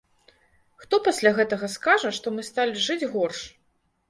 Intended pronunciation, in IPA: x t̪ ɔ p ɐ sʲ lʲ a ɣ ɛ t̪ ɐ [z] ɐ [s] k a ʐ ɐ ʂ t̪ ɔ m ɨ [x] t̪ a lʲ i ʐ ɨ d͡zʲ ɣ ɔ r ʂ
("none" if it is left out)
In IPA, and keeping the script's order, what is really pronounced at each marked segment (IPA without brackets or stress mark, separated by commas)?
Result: ɣ, s, s